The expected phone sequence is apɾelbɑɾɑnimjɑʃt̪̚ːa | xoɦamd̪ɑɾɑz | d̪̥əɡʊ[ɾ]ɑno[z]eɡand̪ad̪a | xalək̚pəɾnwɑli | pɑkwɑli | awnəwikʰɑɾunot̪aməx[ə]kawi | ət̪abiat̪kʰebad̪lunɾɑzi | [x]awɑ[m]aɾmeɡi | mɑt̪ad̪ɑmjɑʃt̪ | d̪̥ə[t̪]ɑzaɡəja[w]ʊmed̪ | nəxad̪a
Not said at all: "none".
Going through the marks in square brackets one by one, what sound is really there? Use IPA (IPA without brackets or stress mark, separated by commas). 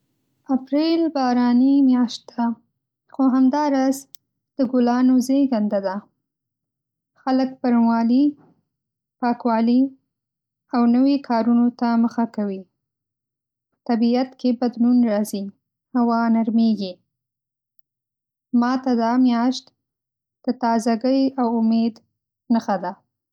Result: l, z, a, h, n, t̪, w